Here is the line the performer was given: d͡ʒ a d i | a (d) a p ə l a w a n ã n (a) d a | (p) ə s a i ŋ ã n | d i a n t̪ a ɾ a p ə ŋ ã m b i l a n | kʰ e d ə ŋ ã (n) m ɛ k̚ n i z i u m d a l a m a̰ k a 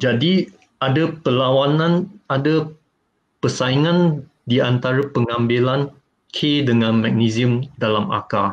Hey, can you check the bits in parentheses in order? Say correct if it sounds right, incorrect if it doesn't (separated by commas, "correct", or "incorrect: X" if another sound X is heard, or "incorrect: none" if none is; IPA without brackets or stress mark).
correct, correct, correct, correct